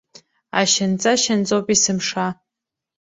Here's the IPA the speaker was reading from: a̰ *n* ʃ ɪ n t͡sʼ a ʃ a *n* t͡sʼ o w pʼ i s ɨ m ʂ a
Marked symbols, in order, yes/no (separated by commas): no, yes